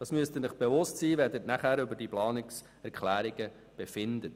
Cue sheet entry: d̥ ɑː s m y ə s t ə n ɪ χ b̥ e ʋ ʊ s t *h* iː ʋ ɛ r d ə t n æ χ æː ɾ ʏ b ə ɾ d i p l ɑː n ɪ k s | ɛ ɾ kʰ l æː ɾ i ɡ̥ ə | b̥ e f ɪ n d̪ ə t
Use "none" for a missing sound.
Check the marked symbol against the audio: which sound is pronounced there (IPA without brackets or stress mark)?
s